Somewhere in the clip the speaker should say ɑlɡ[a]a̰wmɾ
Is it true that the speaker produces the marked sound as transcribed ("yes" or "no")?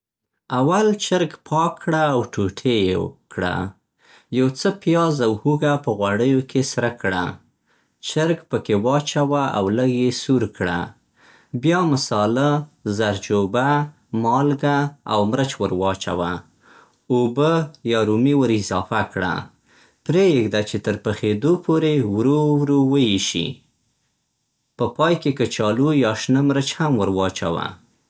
yes